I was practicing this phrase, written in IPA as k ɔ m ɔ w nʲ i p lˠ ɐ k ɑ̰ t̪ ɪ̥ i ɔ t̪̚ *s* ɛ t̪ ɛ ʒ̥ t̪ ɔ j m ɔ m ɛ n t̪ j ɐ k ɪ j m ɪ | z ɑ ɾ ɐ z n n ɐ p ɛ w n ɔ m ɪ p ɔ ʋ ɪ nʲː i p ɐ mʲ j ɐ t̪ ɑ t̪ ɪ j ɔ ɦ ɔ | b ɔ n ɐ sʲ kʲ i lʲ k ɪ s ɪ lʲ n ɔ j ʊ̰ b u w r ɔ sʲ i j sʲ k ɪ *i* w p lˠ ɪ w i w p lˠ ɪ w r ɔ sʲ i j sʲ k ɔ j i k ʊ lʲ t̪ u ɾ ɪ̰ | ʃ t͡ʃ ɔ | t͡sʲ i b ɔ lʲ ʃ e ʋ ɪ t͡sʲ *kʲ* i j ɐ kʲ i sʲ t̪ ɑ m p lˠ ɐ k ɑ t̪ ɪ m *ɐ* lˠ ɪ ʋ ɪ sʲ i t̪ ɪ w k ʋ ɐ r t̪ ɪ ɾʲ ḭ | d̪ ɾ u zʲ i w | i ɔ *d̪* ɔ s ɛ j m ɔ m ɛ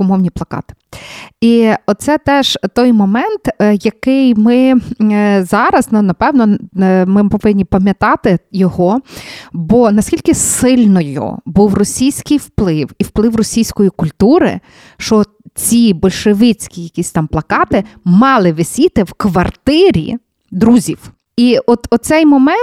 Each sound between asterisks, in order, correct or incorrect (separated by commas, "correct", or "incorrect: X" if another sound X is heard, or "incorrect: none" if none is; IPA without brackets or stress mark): correct, incorrect: j, correct, incorrect: ɑ, incorrect: t̪